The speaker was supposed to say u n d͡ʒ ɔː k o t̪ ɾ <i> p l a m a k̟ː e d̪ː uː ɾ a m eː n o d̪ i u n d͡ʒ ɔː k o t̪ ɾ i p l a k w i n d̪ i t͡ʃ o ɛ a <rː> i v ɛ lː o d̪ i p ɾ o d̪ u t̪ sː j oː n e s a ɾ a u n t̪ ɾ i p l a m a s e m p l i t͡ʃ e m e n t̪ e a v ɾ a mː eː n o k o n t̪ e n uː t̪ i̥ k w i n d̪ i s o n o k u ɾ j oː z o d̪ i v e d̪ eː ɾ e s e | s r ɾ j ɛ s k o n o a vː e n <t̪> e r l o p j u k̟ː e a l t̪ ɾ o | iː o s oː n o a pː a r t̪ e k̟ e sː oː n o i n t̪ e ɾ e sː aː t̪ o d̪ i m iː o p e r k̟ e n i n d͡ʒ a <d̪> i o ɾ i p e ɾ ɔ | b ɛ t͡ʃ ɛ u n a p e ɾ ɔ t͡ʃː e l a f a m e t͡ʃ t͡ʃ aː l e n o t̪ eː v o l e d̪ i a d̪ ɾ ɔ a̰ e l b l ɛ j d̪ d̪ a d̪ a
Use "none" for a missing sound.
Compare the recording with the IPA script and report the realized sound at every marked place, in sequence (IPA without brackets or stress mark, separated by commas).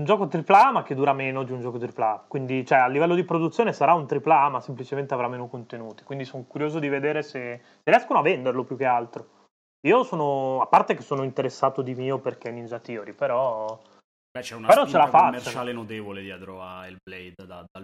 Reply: i, lː, d̪, t̪